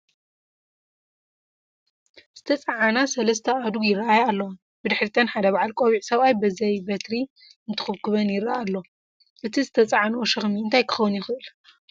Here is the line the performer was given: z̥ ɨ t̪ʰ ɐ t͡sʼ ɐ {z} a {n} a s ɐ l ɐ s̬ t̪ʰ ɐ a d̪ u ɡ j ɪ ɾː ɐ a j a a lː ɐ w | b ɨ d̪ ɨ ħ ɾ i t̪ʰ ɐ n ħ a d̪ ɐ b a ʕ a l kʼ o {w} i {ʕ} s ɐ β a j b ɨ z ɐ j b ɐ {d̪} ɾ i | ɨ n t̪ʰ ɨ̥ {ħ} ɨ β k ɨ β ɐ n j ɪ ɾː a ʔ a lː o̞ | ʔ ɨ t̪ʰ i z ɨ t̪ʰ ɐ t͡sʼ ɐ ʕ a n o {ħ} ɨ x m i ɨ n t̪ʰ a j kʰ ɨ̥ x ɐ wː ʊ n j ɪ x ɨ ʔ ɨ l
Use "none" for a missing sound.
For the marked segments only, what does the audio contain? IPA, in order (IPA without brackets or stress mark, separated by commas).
ʕ, n, β, ʕ, t̪, x, ʃ